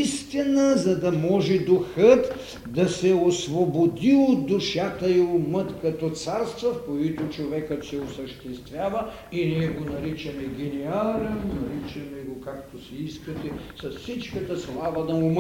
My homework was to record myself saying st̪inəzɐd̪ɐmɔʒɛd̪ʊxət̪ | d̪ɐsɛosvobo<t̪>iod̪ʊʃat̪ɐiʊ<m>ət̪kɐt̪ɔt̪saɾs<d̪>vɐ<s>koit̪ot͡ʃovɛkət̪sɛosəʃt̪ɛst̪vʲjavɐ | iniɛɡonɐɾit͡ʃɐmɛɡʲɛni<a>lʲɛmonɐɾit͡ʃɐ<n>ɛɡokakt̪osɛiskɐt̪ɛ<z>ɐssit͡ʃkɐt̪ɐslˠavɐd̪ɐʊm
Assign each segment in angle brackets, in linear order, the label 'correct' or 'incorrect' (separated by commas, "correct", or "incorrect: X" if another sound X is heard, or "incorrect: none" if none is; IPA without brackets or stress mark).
incorrect: d̪, correct, incorrect: t̪, incorrect: f, correct, incorrect: m, incorrect: s